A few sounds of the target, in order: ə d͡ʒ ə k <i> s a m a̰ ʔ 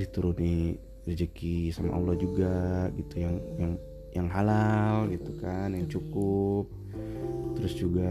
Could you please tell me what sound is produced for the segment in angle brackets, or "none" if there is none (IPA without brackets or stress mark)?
i